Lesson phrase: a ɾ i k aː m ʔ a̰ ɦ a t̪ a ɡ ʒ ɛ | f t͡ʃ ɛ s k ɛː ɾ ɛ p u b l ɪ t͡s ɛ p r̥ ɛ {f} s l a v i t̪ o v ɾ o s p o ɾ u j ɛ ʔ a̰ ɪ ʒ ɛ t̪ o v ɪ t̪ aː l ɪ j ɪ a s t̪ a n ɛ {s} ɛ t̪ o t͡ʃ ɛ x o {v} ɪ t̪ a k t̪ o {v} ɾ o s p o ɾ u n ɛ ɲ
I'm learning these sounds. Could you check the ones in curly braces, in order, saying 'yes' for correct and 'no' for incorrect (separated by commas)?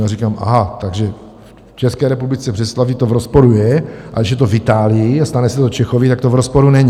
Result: no, yes, yes, yes